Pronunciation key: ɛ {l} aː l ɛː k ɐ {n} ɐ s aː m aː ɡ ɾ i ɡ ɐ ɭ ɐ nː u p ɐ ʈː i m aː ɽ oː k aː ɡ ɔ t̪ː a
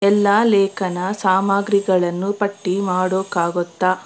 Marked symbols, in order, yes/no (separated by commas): no, yes